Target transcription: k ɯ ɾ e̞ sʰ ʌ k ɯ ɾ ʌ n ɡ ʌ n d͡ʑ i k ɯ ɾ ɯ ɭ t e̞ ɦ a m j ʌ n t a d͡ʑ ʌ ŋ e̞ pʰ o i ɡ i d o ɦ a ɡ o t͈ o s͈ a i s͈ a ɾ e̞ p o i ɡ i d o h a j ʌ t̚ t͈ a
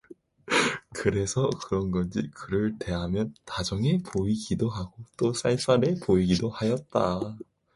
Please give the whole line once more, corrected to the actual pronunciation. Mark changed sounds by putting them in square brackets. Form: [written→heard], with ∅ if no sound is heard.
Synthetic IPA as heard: k ɯ ɾ e̞ sʰ ʌ k ɯ ɾ ʌ n ɡ ʌ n d͡ʑ i k ɯ ɾ ɯ ɭ t e̞ ɦ a m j ʌ n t a d͡ʑ ʌ ŋ e̞ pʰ o i ɡ i d o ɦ a ɡ o t͈ o s͈ a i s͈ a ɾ e̞ p o i ɡ i d o h a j ʌ t̚ t͈ a